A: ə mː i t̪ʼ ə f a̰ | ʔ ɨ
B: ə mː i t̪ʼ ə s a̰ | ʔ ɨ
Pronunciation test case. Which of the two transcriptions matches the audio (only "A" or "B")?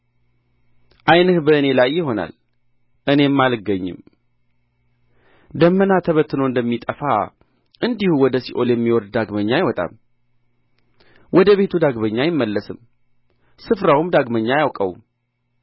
A